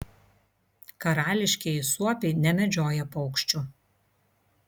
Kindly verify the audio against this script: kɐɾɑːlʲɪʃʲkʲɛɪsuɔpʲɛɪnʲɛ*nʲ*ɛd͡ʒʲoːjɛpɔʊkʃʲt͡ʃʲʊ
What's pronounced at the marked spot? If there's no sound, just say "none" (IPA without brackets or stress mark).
mʲ